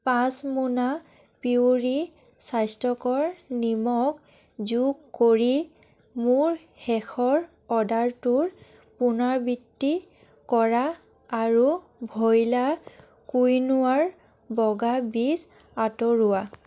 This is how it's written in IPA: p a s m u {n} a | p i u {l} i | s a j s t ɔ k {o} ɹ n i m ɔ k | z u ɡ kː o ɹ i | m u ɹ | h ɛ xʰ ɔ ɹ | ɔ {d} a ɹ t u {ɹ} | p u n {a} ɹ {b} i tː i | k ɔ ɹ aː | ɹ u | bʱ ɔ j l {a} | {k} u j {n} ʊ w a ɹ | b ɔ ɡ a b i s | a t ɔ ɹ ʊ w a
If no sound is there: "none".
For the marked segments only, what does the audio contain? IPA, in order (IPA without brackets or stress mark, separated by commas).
n, ɹ, ɔ, d, ɹ, a, b, a, k, n